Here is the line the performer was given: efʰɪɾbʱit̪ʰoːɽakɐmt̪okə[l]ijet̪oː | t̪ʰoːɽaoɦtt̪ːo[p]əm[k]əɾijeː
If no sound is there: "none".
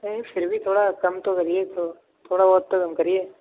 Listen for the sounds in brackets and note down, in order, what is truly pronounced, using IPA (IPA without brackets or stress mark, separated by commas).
ɾ, k, k